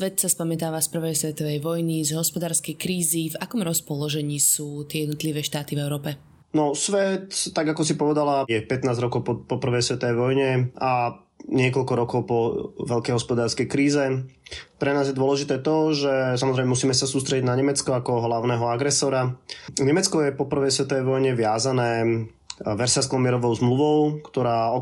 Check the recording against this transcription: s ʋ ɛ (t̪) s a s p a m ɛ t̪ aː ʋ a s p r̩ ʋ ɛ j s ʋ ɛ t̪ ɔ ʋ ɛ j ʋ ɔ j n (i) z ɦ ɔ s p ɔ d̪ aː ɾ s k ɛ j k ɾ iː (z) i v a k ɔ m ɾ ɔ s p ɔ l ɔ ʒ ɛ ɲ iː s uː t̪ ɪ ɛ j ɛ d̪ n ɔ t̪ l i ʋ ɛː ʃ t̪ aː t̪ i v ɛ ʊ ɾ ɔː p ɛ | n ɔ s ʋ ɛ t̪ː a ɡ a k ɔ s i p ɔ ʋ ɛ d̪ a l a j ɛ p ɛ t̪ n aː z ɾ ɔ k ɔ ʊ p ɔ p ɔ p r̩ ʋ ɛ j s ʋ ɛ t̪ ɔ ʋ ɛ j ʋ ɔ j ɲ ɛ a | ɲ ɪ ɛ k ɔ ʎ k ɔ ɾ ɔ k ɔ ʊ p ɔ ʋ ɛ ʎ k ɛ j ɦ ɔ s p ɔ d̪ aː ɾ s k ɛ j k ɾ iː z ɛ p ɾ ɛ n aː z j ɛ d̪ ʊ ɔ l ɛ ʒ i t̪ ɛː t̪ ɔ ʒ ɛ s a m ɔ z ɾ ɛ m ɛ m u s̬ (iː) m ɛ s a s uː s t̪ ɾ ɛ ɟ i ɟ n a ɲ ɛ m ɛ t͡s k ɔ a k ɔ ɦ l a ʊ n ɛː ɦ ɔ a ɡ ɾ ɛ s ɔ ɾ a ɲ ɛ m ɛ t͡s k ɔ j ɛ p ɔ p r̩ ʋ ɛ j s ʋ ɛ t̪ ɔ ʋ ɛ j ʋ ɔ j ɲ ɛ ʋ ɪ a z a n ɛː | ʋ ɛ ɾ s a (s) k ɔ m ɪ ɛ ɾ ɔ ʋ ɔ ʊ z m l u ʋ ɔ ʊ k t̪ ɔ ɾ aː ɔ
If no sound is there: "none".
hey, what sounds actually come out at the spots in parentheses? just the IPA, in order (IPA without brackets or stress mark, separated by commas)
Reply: t̪, i, z, iː, s